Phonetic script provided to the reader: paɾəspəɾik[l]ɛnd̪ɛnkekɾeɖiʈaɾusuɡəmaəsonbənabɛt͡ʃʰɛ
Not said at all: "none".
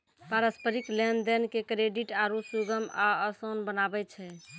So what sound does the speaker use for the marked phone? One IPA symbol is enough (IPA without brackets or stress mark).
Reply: l